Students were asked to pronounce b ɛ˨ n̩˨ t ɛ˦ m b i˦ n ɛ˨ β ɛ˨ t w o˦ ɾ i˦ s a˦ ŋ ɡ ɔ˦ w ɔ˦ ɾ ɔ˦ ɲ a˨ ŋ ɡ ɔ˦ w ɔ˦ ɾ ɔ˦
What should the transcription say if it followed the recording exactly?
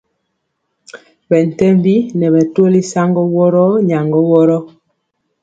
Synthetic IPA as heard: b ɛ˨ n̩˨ t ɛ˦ m b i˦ n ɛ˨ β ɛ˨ t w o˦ l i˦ s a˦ ŋ ɡ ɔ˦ w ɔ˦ ɾ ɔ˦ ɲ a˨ ŋ ɡ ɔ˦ w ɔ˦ ɾ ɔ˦